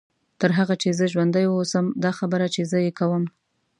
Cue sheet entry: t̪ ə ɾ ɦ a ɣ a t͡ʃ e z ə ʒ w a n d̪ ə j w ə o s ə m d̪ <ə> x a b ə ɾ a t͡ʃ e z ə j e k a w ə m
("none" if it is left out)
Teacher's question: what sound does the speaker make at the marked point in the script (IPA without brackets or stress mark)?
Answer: ɑ